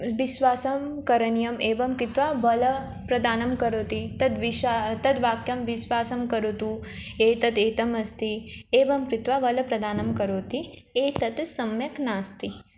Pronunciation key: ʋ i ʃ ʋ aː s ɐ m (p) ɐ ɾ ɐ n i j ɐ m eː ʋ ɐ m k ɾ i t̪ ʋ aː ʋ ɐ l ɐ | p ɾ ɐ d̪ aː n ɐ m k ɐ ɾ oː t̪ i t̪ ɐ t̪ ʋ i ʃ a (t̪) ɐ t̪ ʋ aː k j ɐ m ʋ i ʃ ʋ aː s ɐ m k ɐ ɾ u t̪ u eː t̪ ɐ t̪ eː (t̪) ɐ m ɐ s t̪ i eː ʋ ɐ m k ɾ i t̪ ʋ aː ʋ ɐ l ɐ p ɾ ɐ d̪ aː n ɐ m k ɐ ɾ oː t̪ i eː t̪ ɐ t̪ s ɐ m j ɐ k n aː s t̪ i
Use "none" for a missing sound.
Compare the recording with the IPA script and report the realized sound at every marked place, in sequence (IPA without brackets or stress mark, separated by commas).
k, t̪, t̪